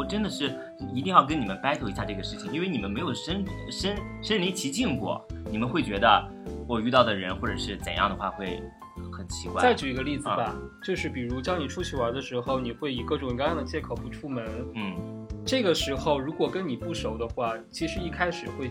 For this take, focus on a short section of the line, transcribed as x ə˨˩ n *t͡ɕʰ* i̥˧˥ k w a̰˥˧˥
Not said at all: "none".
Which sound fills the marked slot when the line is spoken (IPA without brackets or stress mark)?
t͡ɕʰ